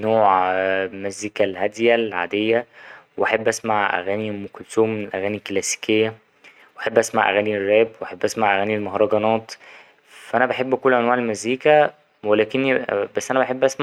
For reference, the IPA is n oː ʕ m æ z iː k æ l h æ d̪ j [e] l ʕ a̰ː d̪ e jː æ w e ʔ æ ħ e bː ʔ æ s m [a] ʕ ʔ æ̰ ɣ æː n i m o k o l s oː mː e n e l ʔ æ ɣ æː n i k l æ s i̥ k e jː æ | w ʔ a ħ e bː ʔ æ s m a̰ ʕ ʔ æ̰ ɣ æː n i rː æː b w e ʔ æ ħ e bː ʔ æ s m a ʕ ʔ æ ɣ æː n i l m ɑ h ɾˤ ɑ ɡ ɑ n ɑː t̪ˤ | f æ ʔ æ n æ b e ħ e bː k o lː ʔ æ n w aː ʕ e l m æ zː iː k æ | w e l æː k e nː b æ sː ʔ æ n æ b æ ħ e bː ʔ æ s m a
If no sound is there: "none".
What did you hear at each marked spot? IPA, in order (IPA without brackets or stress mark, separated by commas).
æ, a